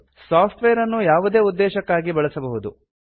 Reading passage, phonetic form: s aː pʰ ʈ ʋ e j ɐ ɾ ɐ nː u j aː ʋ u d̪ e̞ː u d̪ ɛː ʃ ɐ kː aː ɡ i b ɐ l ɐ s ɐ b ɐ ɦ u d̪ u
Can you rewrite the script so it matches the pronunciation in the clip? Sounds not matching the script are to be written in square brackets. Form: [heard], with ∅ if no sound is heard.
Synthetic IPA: s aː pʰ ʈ ʋ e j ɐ ɾ ɐ nː u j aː ʋ u d̪ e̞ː u [d̪ː] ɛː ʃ ɐ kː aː ɡ i b ɐ [ɭ] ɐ s ɐ b ɐ ɦ u d̪ u